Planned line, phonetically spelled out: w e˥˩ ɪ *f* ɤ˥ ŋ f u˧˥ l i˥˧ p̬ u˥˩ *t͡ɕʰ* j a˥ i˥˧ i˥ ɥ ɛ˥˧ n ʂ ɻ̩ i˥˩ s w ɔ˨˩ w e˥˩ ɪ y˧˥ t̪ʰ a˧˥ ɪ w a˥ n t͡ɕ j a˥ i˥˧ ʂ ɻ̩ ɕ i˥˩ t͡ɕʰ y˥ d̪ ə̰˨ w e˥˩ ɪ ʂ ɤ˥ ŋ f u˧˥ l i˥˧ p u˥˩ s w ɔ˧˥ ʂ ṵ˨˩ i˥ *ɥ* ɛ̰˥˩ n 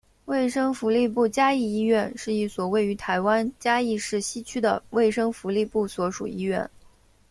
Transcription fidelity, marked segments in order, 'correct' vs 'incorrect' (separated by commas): incorrect, incorrect, correct